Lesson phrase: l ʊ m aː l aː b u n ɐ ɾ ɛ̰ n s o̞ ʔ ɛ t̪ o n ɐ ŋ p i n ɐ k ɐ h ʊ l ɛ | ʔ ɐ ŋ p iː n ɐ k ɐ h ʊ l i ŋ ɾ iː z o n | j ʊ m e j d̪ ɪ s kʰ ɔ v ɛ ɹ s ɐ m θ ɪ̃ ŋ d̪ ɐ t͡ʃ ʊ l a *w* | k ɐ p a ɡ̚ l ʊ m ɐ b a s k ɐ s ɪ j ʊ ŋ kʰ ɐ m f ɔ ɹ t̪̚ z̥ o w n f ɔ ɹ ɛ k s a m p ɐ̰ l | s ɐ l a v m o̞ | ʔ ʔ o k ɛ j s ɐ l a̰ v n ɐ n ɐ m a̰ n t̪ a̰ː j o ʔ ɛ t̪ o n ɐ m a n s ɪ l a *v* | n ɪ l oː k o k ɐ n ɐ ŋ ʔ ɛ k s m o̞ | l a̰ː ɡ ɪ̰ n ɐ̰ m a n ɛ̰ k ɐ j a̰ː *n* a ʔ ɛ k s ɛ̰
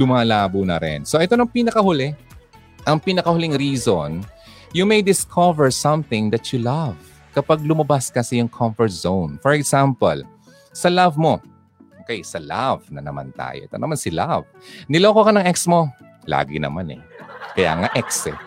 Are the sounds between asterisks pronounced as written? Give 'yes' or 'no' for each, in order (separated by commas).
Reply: no, yes, no